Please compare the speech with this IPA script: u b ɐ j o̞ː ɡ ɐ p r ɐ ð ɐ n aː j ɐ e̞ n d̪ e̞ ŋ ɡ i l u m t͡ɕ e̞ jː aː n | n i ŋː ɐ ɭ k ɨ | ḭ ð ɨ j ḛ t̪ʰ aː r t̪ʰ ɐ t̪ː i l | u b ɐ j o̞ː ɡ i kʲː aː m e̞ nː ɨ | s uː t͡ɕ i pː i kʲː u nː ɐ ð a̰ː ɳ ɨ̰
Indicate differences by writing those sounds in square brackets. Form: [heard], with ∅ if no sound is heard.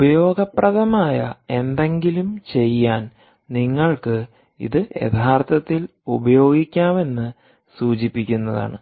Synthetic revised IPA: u b ɐ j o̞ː ɡ ɐ p r ɐ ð ɐ [m] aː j ɐ e̞ n d̪ e̞ ŋ ɡ i l u m t͡ɕ e̞ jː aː n | n i ŋː ɐ ɭ k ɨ | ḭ ð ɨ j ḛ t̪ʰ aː r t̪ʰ ɐ t̪ː i l | u b ɐ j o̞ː ɡ i kʲː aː m e̞ nː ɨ | s uː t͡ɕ i pː i kʲː u nː ɐ ð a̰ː ɳ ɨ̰